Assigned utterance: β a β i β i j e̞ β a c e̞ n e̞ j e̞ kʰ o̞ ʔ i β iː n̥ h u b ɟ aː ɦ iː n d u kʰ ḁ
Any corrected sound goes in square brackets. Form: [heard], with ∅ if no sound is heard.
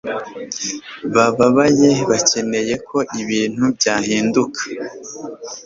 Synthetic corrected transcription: β a β [a] β [a] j e̞ β a c e̞ n e̞ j e̞ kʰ o̞ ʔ i β iː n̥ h u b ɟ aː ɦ iː n d u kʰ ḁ